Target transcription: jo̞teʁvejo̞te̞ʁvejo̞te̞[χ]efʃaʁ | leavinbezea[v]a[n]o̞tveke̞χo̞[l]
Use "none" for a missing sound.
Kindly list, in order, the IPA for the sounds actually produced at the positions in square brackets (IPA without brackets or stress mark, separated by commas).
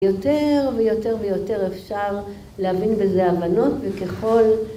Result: ʁ, v, n, l